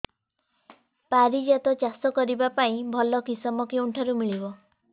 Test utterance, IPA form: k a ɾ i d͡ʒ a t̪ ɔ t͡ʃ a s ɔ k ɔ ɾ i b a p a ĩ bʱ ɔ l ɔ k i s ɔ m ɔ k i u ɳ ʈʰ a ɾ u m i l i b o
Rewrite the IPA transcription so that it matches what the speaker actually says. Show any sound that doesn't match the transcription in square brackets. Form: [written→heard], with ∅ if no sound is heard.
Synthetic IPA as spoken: [k→p] a ɾ i d͡ʒ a t̪ ɔ t͡ʃ a s ɔ k ɔ ɾ i b a p a ĩ bʱ ɔ l ɔ k i s ɔ m ɔ k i u ɳ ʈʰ a ɾ u m i [l→ɭ] i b [o→ɔ]